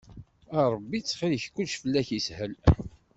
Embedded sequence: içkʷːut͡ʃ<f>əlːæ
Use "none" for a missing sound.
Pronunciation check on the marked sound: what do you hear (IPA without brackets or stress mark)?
f